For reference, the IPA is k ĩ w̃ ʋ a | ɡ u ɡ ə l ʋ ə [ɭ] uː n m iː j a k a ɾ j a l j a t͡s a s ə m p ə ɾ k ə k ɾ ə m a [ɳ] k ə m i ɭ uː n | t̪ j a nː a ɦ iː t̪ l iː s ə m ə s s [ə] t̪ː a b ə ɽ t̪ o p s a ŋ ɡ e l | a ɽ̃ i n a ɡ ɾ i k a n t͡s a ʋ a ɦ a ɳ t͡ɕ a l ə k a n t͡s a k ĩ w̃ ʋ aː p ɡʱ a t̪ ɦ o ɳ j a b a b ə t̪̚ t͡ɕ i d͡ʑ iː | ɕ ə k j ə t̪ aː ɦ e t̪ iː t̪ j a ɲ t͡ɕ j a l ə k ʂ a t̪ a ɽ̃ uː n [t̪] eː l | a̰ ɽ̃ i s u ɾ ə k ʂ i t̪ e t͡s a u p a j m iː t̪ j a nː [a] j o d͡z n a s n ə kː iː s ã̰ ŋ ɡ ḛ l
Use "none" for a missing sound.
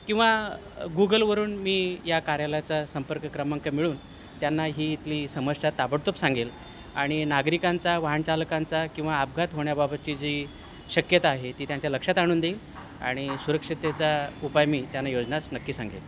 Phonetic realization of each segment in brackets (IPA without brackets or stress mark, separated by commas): ɾ, ŋ, a, d̪, a